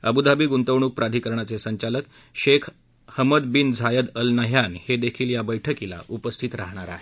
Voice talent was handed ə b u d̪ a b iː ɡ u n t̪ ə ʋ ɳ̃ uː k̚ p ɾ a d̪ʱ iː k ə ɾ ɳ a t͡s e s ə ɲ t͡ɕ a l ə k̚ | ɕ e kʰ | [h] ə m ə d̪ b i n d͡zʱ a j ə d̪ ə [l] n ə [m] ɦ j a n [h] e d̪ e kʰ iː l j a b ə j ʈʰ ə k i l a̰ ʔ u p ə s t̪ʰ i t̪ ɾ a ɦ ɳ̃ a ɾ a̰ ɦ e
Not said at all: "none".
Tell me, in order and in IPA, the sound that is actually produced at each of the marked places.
h, l, none, h

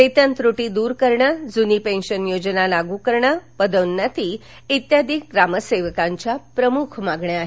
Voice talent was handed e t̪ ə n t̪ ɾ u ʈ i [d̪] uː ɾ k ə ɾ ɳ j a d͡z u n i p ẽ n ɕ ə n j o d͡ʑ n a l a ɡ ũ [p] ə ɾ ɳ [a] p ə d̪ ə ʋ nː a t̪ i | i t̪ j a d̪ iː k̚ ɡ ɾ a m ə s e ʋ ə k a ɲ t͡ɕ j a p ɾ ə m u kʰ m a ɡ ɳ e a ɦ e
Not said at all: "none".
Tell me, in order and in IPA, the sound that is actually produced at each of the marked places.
d̪, k, a

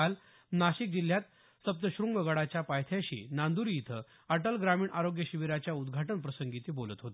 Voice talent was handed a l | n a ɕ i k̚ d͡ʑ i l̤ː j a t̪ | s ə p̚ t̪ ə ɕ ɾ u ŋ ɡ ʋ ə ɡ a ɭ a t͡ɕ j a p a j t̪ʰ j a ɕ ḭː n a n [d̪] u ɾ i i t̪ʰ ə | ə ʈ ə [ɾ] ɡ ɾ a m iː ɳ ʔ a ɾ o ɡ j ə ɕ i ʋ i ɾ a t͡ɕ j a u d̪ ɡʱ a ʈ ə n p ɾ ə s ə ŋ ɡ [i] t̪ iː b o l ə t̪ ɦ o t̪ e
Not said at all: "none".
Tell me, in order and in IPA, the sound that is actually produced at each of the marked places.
d̪, l, i

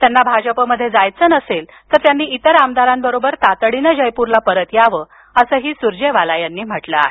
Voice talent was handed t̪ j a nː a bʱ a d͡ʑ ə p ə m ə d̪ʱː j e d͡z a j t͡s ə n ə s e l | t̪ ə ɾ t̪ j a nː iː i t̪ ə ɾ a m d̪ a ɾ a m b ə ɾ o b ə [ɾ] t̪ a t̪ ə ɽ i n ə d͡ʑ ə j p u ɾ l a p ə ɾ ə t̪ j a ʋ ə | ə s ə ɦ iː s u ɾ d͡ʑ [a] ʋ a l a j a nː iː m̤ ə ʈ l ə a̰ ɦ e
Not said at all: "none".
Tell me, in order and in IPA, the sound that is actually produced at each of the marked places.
ɾ, e

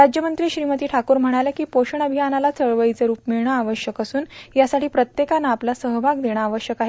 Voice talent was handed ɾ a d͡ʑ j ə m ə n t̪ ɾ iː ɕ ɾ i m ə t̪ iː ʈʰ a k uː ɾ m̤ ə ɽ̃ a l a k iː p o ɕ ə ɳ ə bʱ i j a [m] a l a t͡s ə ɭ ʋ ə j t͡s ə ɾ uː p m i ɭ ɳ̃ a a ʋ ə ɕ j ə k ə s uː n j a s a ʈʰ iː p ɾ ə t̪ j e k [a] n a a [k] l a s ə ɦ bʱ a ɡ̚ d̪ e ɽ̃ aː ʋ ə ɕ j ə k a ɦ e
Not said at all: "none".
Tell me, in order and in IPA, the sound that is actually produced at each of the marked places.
n, a, p

